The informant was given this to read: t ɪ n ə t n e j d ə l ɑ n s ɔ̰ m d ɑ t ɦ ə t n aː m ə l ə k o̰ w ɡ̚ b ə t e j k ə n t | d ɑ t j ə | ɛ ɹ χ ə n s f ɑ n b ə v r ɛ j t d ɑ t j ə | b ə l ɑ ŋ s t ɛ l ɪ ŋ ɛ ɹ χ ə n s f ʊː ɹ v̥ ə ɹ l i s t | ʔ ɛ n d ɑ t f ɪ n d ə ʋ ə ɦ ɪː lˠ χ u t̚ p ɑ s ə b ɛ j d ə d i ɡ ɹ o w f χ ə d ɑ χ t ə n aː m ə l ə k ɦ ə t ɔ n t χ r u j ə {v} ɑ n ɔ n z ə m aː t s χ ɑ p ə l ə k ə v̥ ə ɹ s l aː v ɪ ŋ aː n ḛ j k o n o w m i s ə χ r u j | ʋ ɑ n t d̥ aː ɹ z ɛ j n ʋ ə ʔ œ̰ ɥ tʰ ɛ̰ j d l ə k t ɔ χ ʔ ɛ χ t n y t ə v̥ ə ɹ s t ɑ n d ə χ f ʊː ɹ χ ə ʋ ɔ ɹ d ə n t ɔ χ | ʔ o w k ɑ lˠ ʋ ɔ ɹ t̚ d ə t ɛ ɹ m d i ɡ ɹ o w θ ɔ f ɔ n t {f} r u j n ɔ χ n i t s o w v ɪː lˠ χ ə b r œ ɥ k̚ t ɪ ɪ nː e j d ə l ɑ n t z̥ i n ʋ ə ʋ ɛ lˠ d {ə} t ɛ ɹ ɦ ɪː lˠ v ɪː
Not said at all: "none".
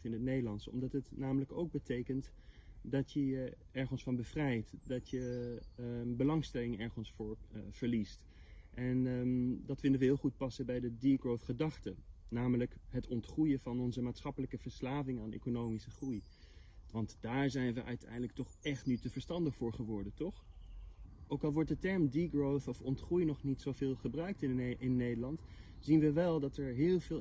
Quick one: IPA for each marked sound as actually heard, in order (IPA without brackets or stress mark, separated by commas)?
v, χ, ɑ